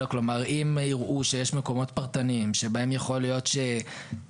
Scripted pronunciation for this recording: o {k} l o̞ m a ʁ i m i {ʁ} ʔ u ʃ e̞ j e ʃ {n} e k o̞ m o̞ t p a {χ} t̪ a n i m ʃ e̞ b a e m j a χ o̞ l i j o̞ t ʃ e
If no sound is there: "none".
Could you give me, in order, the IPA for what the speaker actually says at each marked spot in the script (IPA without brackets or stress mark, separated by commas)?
k, ʁ, m, ʁ